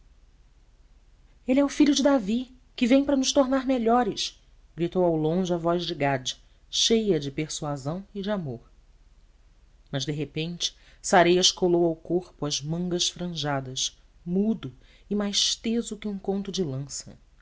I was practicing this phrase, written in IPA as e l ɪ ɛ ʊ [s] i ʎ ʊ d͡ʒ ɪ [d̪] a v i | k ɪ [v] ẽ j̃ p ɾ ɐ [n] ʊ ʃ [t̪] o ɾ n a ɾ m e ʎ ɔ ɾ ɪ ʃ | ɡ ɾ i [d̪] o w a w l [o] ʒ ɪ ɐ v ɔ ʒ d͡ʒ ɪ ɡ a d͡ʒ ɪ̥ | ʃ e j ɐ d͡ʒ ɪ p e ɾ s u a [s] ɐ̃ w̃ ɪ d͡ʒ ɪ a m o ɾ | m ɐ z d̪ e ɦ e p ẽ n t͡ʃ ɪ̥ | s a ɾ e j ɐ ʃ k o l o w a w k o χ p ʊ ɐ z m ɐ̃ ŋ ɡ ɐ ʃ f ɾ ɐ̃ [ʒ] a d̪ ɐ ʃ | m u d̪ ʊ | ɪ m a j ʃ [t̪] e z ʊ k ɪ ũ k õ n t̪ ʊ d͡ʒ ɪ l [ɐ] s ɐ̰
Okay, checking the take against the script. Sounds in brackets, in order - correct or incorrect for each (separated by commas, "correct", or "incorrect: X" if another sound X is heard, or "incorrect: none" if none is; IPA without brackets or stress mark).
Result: incorrect: f, correct, correct, correct, correct, incorrect: t̪, incorrect: õ, incorrect: z, correct, correct, incorrect: ɐ̃